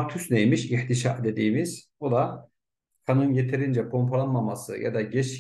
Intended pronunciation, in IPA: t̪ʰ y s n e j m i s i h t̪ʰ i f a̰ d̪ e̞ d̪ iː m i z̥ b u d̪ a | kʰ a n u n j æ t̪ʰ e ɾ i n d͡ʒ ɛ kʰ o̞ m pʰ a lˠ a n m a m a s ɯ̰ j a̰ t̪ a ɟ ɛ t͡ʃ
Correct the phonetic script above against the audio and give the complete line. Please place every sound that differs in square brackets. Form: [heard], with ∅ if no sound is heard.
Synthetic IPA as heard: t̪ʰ y s n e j m i [ʃ] i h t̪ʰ i [ʃ] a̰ d̪ e̞ d̪ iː m i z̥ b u d̪ a | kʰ a n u n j [e] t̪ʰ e ɾ i n d͡ʒ ɛ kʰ o̞ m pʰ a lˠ a n m a m a s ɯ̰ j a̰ [d̪] a ɟ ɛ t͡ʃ

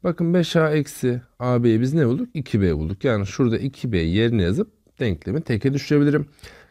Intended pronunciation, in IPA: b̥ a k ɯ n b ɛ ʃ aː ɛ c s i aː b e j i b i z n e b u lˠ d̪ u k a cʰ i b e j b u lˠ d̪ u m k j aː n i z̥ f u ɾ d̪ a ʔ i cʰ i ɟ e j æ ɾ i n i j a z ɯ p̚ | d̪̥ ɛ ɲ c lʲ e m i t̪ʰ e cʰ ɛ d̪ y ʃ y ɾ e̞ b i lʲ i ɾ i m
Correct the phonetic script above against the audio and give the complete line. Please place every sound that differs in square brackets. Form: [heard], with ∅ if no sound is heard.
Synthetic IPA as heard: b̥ a k ɯ n b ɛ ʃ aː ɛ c s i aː b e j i b i z n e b u lˠ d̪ u k [i] cʰ i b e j b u lˠ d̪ u [∅] k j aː n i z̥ [ʃ] u ɾ d̪ a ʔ i cʰ i [b] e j [e] ɾ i n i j a z ɯ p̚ | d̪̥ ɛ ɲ c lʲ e m i t̪ʰ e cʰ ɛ d̪ y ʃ y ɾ e̞ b i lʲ i ɾ i m

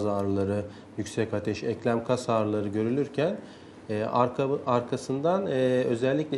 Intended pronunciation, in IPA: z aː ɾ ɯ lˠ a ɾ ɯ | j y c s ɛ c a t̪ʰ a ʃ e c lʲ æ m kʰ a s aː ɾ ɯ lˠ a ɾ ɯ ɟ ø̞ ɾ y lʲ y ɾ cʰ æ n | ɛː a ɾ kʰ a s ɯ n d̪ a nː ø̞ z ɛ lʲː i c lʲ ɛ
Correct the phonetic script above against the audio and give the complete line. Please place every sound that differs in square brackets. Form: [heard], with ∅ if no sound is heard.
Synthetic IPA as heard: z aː ɾ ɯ lˠ a ɾ ɯ | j y c s ɛ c a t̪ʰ [ɛ] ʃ [ɛ] c lʲ æ m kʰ a s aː ɾ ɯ lˠ a ɾ ɯ ɟ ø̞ ɾ y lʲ y ɾ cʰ æ n | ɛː a ɾ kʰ a s ɯ n d̪ a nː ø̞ z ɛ lʲː i c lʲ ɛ

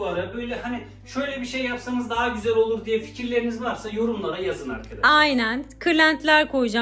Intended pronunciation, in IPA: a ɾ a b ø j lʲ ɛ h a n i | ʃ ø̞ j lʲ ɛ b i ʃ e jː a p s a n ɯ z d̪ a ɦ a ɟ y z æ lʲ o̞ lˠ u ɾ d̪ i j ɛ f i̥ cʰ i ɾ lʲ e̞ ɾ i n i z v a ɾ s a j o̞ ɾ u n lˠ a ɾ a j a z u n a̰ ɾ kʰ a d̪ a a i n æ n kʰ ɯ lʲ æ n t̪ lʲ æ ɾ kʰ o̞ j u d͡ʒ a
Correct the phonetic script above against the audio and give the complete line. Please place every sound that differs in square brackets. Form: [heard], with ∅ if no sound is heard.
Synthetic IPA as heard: a ɾ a b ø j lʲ ɛ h a n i | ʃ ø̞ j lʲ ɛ b i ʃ e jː a p s a n ɯ z d̪ a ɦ a ɟ y z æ lʲ o̞ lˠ u ɾ d̪ i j ɛ f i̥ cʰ i ɾ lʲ e̞ ɾ i n i z v a ɾ s a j o̞ ɾ u [m] lˠ a ɾ a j a z [ɯ] n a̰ ɾ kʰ a d̪ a a [j] n æ n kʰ ɯ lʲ æ n t̪ lʲ æ ɾ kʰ o̞ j u d͡ʒ a

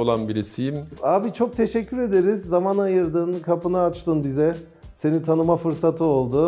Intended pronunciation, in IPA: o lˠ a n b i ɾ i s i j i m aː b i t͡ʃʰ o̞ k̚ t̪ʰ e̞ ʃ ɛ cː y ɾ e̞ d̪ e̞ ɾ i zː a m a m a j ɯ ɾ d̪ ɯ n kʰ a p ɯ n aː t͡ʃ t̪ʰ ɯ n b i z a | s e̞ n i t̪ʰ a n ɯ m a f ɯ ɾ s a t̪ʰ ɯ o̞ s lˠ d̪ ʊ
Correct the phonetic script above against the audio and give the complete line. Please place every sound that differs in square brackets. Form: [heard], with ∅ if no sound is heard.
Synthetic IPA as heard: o lˠ a n b i ɾ i s i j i m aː b i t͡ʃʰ o̞ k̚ t̪ʰ e̞ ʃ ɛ cː y ɾ e̞ d̪ e̞ ɾ i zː a m a [n] a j ɯ ɾ d̪ ɯ n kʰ a p ɯ n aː t͡ʃ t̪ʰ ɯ n b i z [ɛ] | s e̞ n i t̪ʰ a n ɯ m a f ɯ ɾ s a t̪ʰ ɯ o̞ [∅] lˠ d̪ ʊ

